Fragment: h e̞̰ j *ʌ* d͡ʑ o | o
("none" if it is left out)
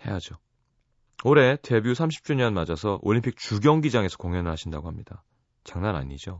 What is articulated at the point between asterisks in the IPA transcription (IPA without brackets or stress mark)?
a